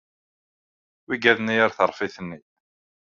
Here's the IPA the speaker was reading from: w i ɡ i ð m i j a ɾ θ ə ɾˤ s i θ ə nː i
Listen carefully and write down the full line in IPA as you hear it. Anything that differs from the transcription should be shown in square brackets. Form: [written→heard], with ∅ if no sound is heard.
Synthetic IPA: w i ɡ [i→æ] ð [m→n] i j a ɾ θ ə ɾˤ [s→f] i θ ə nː i